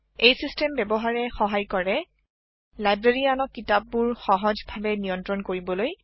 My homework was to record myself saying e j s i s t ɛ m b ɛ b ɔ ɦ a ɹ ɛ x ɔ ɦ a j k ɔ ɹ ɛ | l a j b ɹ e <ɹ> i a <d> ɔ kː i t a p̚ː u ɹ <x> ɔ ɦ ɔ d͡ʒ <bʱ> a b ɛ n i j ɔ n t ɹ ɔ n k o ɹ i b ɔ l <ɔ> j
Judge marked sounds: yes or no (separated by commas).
yes, no, yes, yes, no